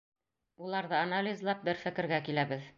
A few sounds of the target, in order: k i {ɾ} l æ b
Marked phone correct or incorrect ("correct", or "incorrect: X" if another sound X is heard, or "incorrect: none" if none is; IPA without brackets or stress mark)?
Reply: incorrect: none